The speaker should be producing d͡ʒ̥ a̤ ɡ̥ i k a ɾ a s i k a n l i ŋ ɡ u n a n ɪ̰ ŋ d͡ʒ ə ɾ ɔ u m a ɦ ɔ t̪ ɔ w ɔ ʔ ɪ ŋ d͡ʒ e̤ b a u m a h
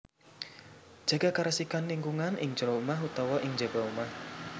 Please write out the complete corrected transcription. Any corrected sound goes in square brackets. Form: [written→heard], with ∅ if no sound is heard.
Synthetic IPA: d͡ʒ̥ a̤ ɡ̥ [i→a] k a ɾ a s i k a n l i ŋ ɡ u [n→ŋ] a n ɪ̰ ŋ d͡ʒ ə ɾ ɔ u m a ɦ [ɔ→u] t̪ ɔ w ɔ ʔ ɪ ŋ d͡ʒ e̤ b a u m a h